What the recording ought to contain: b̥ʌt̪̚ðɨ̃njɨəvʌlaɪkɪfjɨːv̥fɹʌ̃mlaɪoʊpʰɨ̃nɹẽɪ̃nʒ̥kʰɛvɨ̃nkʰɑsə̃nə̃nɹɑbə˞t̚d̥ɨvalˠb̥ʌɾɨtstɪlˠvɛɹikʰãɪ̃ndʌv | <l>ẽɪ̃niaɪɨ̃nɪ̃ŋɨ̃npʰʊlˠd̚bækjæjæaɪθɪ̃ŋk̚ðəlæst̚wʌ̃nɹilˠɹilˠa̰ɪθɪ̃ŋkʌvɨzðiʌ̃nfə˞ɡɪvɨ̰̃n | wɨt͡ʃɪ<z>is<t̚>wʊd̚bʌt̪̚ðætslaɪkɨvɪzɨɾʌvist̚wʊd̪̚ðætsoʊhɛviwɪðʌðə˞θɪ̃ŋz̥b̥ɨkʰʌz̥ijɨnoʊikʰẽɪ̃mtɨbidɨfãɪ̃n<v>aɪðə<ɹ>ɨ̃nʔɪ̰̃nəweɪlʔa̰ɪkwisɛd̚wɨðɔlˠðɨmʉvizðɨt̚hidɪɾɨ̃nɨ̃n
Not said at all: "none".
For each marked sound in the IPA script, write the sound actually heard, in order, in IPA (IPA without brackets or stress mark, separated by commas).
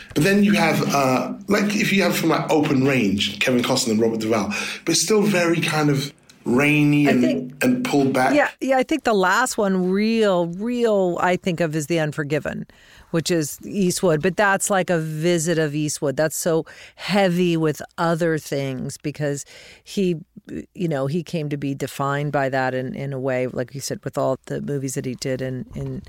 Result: ɹ, z, t̚, b, ɾ